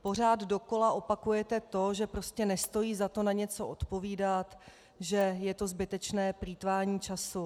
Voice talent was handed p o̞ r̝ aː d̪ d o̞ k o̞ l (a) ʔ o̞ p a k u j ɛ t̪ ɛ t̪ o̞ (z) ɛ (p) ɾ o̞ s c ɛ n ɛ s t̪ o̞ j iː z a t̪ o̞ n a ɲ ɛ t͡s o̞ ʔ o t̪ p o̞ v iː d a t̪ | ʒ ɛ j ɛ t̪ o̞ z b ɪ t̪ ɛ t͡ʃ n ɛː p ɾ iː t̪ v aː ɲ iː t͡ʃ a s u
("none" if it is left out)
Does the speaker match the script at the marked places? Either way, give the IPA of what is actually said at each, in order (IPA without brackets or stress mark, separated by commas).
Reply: a, ʒ, p